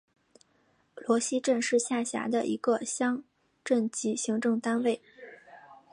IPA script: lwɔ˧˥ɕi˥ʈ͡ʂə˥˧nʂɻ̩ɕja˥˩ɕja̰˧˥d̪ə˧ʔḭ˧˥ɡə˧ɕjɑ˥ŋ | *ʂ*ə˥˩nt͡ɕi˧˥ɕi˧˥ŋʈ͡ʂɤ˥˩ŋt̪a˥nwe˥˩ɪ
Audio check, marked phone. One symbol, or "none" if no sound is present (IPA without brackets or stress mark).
ʈ͡ʂ